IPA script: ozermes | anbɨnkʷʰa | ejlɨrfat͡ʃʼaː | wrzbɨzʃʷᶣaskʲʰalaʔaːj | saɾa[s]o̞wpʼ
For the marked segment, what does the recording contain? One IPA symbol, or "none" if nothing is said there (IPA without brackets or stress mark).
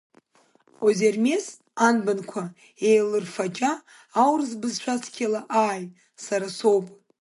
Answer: s